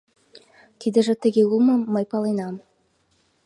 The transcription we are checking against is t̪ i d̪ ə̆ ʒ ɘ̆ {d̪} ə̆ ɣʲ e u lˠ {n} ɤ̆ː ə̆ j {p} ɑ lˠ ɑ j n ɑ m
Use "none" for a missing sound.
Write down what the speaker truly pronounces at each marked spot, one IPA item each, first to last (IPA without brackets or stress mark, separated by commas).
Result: t̪, m, p